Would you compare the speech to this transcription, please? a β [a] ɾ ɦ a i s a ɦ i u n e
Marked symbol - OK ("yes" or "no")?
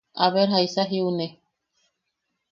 no